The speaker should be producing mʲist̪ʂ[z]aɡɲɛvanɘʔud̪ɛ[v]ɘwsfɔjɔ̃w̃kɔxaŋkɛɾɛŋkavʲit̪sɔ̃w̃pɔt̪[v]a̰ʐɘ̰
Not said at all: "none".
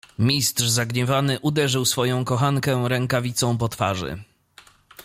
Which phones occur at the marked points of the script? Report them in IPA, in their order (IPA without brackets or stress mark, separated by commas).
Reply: z, ʐ, f